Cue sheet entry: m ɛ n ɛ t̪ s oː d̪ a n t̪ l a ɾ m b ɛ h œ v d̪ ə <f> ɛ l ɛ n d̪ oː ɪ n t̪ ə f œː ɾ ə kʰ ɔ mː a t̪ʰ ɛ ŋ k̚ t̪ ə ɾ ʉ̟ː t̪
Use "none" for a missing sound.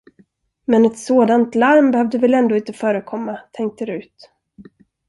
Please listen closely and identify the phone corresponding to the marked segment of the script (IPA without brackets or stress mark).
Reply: v